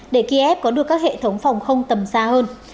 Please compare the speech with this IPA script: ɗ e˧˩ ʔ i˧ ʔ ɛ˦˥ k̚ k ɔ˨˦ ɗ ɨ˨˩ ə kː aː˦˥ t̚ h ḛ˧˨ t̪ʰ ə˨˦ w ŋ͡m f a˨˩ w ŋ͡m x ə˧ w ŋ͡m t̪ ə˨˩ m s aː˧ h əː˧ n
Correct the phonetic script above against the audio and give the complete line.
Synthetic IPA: ɗ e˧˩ k i˧ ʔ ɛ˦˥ p̚ k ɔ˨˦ ɗ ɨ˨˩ ə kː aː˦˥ k̚ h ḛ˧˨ t̪ʰ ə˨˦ w ŋ͡m f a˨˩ w ŋ͡m x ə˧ w ŋ͡m t̪ ə˨˩ m s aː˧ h əː˧ n